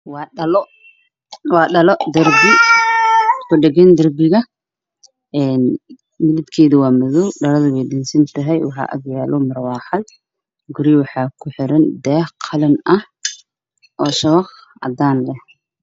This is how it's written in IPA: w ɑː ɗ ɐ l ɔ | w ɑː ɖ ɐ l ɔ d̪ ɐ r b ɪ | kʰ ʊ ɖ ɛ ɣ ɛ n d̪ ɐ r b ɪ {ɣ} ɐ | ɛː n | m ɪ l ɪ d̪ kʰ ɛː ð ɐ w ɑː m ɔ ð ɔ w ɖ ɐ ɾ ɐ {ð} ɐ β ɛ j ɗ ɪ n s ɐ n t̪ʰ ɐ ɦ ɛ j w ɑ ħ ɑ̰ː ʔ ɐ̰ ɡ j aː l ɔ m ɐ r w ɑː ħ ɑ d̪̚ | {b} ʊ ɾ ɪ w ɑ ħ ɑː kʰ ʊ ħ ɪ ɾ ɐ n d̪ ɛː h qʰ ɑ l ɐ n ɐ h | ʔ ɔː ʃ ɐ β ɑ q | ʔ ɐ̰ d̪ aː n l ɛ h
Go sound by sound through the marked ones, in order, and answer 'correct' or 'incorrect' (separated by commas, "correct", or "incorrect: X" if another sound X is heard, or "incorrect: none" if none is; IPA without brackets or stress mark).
correct, correct, incorrect: ɡ